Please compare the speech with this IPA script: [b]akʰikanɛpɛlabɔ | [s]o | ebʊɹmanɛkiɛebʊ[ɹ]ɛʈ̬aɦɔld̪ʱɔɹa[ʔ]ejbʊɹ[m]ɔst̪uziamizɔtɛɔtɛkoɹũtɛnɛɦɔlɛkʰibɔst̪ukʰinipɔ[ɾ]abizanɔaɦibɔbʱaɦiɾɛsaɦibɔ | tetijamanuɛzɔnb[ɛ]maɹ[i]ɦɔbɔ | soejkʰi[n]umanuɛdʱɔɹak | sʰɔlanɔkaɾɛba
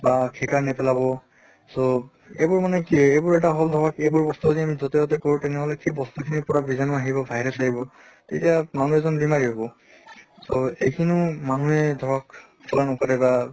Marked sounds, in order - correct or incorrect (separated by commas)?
correct, correct, correct, incorrect, incorrect, incorrect, incorrect, correct, correct